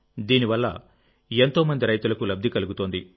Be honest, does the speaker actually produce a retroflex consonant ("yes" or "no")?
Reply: no